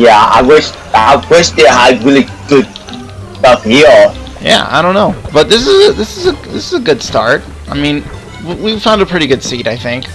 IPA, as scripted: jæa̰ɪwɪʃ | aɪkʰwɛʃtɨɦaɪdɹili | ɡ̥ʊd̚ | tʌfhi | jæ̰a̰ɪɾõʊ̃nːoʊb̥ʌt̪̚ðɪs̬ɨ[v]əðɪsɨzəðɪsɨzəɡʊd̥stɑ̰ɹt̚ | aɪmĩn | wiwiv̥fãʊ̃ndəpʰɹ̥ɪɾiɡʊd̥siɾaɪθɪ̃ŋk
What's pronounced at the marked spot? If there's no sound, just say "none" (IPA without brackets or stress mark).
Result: z